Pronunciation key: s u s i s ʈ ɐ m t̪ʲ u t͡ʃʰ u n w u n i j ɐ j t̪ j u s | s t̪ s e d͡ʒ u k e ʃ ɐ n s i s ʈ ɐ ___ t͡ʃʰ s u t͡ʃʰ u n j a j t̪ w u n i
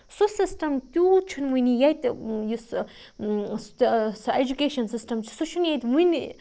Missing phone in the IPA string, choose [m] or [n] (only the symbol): m